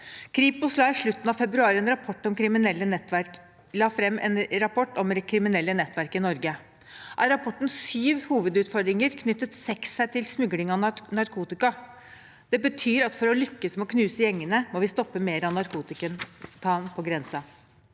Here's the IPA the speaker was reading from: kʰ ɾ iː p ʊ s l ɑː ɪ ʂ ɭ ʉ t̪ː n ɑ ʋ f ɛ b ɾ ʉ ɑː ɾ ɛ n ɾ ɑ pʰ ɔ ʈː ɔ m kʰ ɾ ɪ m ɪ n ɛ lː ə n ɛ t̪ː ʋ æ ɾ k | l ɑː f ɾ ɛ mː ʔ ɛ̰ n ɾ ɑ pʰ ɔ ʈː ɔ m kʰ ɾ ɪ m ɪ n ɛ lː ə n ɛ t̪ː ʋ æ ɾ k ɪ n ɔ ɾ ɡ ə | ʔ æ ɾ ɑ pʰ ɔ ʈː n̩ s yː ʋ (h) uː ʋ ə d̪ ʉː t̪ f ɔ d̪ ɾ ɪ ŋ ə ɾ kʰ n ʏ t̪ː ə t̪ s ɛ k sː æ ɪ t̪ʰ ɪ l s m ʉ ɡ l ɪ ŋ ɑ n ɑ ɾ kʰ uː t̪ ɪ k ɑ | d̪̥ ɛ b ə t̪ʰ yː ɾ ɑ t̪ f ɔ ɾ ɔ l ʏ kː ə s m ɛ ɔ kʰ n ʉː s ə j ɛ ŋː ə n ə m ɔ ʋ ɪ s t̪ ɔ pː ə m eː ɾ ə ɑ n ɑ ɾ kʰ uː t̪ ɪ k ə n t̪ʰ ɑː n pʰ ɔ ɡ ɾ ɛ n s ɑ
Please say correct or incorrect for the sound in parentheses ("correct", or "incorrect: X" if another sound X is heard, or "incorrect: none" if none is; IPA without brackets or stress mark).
correct